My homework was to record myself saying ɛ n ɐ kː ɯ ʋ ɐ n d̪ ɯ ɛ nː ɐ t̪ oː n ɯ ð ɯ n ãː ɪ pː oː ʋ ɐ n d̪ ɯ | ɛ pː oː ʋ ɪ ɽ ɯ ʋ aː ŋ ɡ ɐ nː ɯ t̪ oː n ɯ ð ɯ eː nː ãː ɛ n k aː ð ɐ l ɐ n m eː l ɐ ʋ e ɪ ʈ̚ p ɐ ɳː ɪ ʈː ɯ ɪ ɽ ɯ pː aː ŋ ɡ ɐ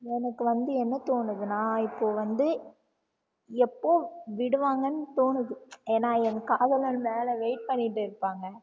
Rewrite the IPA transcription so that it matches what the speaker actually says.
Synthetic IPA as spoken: ɛ n ɐ kː ɯ ʋ ɐ n d̪ ɯ ɛ nː ɐ t̪ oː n ɯ ð ɯ n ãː ɪ pː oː ʋ ɐ n d̪ ɯ | ɛ pː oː ʋ ɪ ɽ ɯ ʋ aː ŋ ɡ ɐ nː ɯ t̪ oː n ɯ ð ɯ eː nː aː ɛ n k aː ð ɐ l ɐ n m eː l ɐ ʋ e ɪ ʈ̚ p ɐ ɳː ɪ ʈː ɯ ɪ ɾ ɯ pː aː ŋ ɡ ɐ